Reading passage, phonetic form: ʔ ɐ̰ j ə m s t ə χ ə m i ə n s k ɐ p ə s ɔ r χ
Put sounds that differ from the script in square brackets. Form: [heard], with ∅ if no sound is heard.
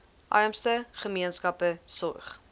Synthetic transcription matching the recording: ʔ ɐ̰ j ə m s t ə χ ə m i ə n s k ɐ p ə s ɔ r χ